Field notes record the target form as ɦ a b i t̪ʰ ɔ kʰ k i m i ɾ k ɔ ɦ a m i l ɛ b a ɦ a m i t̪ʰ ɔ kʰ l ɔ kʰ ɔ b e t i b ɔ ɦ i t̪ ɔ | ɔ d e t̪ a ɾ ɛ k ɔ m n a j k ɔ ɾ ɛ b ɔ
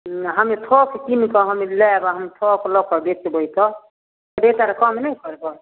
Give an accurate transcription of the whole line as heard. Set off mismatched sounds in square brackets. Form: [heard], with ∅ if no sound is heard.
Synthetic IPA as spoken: ɦ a [m] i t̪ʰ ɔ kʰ k i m i [∅] k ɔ ɦ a m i l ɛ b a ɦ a m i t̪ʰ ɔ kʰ l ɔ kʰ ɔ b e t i b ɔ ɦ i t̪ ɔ | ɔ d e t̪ a ɾ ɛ k ɔ m n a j k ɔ ɾ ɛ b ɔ